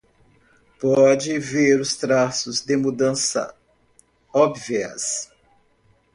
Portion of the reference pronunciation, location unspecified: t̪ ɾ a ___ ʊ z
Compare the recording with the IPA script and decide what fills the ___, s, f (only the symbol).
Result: s